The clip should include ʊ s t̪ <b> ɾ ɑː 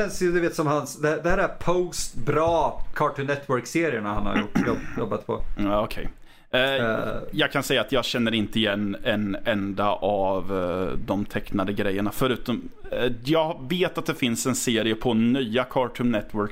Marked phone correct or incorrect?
correct